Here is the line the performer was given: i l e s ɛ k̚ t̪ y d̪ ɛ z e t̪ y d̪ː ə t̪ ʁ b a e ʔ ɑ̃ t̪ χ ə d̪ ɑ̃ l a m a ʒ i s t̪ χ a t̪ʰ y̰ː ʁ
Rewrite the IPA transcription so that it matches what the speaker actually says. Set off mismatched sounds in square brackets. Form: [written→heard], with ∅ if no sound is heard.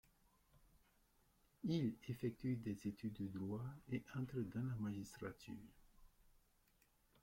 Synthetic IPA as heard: i l e [s→f] ɛ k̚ t̪ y d̪ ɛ z e t̪ y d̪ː ə [t̪→d̪] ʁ [b→w] a e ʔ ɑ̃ t̪ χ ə d̪ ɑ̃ l a m a ʒ i s t̪ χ a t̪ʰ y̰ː ʁ

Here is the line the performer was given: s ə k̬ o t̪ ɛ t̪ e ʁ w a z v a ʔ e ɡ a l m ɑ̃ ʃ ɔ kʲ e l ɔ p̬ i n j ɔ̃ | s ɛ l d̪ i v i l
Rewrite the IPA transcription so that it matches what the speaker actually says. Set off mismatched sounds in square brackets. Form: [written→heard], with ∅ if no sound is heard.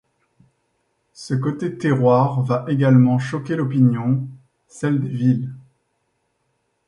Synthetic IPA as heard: s ə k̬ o t̪ [ɛ→e] t̪ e ʁ w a [z→ʁ] v a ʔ e ɡ a l m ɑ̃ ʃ ɔ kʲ e l ɔ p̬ i n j ɔ̃ | s ɛ l d̪ [i→e] v i l

